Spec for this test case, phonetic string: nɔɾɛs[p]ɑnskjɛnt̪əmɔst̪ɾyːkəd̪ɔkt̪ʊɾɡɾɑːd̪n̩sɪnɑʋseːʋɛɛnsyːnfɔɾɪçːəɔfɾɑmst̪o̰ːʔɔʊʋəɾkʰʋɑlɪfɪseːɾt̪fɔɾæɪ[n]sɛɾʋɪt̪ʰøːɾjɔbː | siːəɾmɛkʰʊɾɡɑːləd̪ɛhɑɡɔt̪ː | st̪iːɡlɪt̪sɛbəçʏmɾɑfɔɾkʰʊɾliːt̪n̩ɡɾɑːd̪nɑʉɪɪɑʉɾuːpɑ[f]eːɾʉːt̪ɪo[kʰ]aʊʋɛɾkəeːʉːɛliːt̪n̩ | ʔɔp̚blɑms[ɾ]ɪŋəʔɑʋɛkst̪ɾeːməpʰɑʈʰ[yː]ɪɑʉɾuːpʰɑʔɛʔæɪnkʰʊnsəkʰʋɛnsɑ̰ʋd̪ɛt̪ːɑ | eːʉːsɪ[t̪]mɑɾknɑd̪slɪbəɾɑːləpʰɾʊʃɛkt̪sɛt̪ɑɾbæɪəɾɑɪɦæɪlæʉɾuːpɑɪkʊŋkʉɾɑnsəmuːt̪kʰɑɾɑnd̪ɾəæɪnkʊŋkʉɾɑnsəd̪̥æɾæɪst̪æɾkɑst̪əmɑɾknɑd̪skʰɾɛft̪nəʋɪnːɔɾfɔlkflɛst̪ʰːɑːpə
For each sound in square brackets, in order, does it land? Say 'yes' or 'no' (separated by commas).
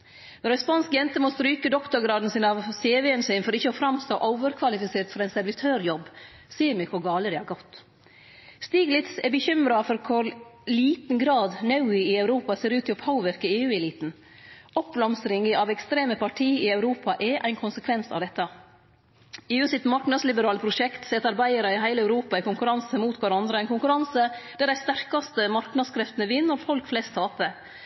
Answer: yes, yes, no, no, yes, no, yes